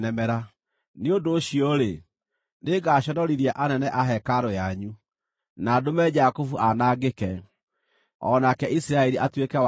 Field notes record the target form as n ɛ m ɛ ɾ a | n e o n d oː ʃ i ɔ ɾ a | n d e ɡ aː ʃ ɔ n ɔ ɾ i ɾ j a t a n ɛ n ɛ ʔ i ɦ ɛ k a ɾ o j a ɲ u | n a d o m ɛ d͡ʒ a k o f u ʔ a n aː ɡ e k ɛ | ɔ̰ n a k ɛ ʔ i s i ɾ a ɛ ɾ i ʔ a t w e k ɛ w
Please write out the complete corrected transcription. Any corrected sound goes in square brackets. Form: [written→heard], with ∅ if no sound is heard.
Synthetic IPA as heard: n ɛ m ɛ ɾ a | n e o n d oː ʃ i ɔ ɾ [a→e] | n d e ɡ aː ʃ ɔ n ɔ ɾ i ɾ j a [t→ʔ] a n ɛ n ɛ ʔ [i→a] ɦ ɛ k a ɾ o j a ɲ u | n a d o m ɛ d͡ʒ a k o f u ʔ a n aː ɡ e k ɛ | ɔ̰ n a k ɛ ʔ i s i ɾ a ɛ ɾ i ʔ a t w e k ɛ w